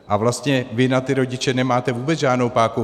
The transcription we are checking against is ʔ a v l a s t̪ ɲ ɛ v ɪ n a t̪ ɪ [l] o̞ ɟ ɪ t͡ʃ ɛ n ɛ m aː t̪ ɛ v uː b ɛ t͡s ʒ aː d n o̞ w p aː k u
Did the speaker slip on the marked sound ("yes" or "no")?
yes